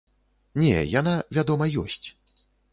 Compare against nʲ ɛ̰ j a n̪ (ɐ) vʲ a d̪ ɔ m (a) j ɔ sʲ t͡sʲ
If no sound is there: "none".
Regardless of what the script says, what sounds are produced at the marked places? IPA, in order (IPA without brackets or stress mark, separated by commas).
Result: a, ɐ